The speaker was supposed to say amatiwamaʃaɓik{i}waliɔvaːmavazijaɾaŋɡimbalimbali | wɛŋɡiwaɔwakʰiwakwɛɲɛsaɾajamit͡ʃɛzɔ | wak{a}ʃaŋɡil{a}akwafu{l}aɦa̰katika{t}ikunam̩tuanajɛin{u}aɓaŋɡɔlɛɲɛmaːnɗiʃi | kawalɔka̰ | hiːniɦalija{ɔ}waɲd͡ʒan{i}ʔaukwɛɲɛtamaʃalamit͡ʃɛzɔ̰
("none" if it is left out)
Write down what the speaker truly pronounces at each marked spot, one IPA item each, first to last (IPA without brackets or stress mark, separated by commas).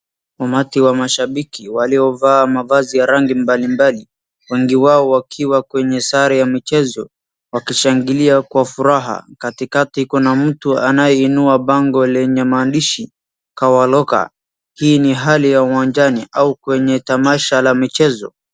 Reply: i, i, i, ɾ, t, u, u, i